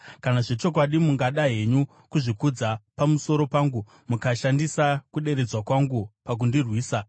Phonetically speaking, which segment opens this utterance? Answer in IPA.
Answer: k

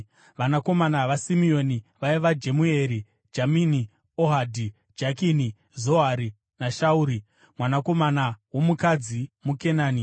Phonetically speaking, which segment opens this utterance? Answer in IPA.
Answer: ʋ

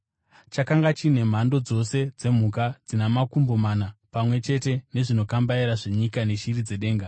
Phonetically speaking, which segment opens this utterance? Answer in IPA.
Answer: t͡ʃ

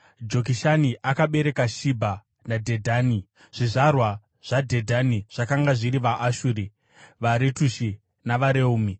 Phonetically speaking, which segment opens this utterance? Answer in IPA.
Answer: d͡ʒ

